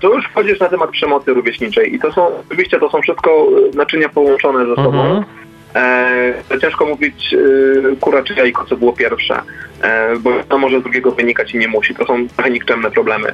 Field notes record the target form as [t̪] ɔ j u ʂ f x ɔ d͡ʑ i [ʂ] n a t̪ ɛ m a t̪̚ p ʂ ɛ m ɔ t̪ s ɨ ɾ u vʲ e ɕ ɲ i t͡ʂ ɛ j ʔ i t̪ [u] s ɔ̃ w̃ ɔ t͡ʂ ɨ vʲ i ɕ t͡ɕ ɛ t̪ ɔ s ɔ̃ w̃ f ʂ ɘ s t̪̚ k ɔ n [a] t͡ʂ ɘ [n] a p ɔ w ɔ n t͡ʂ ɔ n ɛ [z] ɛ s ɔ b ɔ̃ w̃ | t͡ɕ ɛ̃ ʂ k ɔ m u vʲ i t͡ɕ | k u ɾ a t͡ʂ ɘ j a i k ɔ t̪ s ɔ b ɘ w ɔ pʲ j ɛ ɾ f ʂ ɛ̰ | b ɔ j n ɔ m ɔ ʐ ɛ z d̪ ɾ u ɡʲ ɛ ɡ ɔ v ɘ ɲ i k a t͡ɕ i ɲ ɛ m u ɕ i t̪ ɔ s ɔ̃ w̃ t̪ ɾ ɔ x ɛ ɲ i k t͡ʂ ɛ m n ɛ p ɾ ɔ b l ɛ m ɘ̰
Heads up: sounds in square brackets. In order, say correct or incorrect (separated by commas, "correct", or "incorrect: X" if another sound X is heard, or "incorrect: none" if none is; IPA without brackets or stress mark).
correct, correct, incorrect: ɔ, correct, incorrect: ɲ, correct